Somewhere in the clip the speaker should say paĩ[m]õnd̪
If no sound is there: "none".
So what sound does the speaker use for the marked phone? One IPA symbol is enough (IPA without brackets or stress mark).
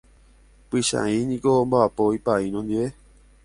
n